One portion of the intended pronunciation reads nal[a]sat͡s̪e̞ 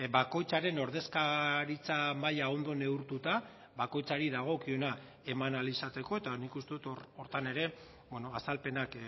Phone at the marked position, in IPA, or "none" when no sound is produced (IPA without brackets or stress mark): i